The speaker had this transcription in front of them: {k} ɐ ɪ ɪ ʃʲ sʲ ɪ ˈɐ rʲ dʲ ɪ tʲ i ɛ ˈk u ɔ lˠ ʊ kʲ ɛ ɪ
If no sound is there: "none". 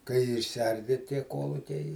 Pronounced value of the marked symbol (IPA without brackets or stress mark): k